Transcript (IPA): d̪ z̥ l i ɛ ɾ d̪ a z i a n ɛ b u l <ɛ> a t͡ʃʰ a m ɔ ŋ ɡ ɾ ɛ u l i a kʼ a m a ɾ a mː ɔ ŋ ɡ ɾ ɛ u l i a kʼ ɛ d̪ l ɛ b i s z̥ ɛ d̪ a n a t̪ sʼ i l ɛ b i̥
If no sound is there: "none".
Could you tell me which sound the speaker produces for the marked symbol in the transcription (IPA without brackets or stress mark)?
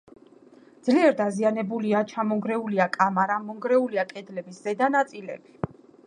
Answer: i